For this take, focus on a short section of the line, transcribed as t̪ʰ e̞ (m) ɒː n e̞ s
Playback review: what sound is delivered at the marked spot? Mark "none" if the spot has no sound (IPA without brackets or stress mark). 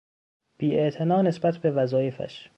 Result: n